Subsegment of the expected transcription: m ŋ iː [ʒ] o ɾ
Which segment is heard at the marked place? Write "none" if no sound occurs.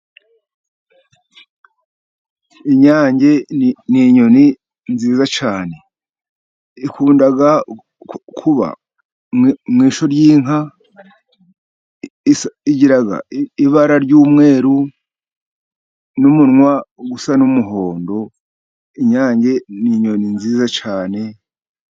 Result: ʃ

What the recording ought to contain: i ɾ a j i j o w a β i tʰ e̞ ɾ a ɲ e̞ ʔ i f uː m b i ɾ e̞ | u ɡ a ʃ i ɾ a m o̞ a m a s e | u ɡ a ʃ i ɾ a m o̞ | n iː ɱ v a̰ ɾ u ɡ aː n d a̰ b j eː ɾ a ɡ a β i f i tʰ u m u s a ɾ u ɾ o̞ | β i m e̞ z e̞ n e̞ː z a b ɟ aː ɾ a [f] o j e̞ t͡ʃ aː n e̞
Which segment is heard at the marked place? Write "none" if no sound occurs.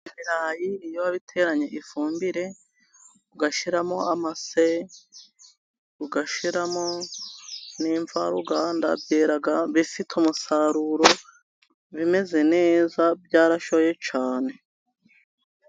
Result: ʃ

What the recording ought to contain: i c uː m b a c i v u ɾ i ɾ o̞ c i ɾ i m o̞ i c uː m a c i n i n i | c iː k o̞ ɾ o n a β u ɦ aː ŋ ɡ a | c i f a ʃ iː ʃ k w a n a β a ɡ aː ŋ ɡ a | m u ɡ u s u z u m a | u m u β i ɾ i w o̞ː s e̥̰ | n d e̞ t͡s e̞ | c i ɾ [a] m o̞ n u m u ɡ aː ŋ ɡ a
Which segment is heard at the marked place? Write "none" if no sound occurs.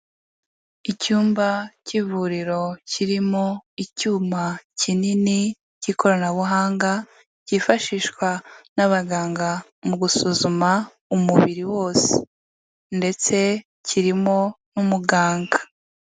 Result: i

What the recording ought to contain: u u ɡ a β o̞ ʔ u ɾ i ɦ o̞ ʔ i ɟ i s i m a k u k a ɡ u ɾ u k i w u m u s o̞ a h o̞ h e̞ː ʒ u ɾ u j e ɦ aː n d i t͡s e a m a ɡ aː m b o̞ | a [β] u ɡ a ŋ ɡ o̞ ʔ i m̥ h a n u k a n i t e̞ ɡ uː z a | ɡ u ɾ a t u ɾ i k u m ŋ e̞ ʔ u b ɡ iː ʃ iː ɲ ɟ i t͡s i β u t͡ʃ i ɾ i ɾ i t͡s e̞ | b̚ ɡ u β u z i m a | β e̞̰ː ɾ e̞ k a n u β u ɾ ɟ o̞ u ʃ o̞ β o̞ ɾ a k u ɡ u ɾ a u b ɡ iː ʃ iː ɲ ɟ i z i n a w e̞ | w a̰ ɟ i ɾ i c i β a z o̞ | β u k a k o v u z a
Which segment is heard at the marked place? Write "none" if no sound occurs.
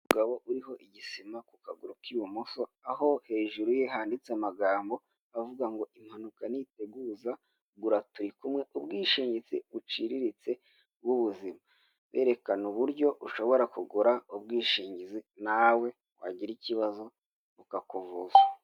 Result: v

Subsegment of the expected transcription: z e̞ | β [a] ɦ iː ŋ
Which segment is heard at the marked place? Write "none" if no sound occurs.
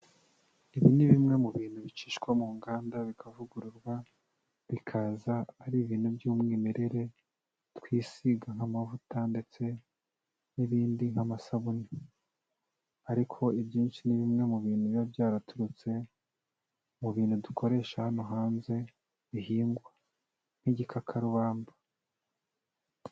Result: i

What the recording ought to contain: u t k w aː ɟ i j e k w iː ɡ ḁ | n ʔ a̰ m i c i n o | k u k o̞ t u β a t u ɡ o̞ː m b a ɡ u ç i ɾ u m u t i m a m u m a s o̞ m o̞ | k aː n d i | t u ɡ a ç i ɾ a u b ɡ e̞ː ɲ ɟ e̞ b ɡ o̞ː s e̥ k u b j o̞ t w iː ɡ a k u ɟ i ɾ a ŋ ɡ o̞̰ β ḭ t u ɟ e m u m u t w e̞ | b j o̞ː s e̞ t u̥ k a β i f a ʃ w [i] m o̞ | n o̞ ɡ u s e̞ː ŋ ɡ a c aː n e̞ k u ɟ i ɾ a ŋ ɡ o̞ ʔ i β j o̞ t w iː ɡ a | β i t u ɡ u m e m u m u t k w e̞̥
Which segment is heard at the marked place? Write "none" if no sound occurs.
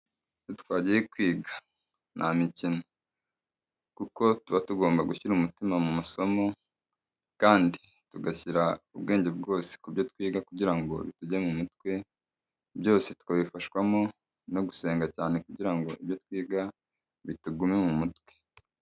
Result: a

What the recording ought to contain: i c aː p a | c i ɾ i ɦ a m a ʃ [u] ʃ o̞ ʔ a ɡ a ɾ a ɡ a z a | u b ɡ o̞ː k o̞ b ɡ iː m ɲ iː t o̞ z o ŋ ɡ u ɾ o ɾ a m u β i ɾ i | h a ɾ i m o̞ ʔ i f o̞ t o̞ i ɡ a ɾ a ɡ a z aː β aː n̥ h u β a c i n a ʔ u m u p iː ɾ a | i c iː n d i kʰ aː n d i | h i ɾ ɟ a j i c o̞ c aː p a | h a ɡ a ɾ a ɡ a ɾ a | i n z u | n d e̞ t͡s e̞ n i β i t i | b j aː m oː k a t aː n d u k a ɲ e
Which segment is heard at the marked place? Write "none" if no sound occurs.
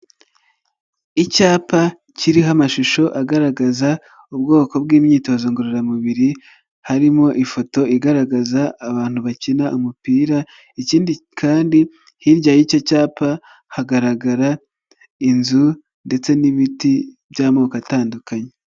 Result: u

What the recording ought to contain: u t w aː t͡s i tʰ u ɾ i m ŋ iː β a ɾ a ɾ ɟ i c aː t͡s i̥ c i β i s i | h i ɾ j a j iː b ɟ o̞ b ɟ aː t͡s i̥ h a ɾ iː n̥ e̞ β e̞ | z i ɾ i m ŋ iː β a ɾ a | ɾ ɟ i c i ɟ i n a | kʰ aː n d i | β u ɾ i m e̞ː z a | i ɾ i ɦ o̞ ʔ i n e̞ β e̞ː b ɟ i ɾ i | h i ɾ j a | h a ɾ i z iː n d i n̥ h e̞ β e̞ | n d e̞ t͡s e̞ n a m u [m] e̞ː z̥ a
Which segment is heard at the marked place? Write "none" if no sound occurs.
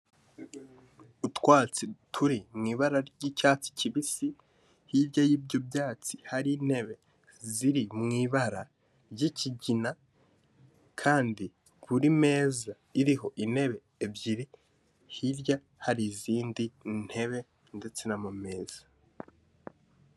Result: m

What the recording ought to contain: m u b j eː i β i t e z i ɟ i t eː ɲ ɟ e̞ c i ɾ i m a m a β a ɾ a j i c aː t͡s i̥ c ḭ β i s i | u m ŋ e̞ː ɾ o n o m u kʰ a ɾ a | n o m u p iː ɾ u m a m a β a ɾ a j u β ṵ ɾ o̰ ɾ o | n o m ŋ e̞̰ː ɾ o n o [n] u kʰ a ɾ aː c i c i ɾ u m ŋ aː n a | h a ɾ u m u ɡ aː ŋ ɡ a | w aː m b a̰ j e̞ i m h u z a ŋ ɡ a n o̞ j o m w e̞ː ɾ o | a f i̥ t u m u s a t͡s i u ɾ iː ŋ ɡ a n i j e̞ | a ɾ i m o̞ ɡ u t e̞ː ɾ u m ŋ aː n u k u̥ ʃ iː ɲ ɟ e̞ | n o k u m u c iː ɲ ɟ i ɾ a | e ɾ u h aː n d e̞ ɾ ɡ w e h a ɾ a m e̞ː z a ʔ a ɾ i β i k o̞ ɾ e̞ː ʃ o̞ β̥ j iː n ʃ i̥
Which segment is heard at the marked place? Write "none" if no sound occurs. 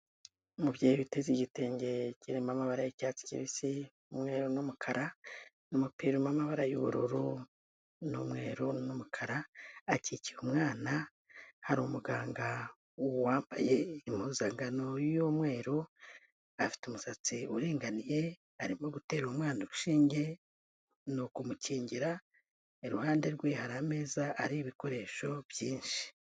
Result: m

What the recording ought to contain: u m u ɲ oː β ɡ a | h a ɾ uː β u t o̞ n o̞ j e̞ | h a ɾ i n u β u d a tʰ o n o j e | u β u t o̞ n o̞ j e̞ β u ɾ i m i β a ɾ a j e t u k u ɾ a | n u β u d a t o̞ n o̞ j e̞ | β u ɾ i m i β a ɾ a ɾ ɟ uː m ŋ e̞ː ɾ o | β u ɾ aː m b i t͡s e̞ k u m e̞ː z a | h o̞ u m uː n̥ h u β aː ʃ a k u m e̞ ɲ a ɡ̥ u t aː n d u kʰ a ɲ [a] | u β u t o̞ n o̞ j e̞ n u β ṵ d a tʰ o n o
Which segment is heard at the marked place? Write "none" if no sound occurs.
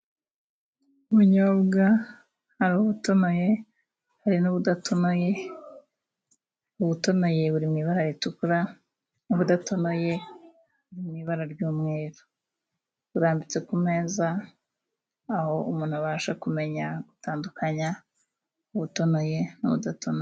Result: a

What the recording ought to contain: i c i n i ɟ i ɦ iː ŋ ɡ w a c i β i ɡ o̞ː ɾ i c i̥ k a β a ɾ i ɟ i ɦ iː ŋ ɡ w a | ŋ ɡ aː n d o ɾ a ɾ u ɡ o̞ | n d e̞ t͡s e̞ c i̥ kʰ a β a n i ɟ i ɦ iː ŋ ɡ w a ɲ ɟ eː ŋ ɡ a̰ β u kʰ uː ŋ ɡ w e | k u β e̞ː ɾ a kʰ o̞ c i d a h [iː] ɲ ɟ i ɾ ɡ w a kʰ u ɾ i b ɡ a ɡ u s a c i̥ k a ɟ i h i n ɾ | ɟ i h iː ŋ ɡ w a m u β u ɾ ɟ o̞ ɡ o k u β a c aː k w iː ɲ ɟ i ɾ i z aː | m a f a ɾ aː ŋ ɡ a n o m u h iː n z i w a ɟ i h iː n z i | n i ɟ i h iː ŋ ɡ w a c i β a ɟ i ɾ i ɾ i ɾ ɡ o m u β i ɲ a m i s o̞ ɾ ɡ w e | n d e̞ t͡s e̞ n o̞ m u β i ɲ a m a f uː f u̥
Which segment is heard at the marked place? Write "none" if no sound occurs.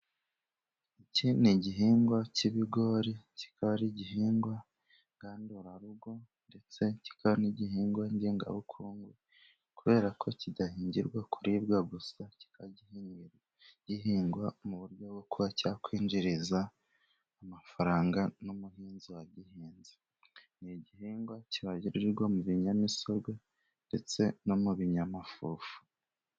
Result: iː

